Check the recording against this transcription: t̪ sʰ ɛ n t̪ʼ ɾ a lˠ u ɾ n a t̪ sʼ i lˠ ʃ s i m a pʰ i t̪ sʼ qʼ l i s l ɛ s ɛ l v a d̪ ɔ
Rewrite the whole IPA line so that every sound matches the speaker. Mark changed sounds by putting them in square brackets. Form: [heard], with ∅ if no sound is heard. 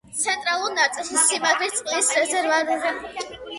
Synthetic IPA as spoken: t̪ sʰ ɛ n t̪ʼ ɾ a lˠ u ɾ n a t̪ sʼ i lˠ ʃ s i m a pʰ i t̪ sʼ qʼ l i s [ɾ] ɛ [z] ɛ [ɾ] v a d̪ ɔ